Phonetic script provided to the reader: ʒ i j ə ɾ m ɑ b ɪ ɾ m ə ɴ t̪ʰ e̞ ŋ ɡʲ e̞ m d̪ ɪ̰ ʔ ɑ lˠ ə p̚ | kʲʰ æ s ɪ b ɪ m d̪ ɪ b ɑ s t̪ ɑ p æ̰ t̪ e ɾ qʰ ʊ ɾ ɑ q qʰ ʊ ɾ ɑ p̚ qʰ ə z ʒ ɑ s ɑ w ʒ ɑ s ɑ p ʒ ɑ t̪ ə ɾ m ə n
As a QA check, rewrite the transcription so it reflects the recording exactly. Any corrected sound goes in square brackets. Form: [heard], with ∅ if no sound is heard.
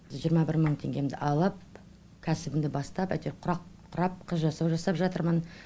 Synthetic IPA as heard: ʒ i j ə ɾ m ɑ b ɪ ɾ m ə ɴ t̪ʰ e̞ ŋ ɡʲ e̞ m d̪ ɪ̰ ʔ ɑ lˠ ə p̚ | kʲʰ æ s ɪ b ɪ m d̪ ɪ b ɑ s t̪ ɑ p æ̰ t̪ e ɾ qʰ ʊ ɾ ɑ q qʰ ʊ ɾ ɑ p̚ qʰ ə z ʒ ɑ s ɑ w ʒ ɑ s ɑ p ʒ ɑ t̪ ə ɾ m ə n